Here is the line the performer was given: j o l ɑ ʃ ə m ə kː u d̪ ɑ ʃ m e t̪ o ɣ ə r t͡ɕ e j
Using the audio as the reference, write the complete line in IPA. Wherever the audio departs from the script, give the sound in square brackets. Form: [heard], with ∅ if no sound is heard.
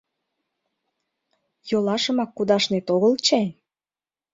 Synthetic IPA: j o l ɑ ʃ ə m [ɑ] kː u d̪ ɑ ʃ [n] e t̪ o ɣ ə [l] t͡ɕ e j